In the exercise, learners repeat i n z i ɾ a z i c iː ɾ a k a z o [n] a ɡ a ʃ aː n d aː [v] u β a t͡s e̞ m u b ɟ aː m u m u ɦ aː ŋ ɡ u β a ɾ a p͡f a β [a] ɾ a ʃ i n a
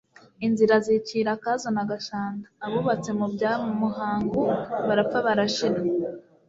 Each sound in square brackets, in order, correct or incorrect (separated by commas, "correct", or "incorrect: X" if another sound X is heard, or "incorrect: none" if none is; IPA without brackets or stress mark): correct, incorrect: β, correct